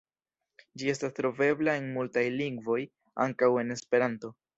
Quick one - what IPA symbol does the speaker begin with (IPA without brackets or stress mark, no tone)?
d͡ʒ